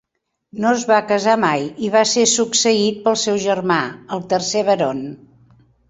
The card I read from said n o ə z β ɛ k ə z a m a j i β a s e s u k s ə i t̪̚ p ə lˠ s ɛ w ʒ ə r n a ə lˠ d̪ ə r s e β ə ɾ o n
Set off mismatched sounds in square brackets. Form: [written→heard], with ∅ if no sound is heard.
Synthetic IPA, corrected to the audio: n o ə z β [ɛ→a] k ə z a m a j i β a s e s u k s ə i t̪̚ p ə lˠ s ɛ w ʒ ə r [n→m] a ə lˠ [d̪→t̪] ə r s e β ə ɾ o n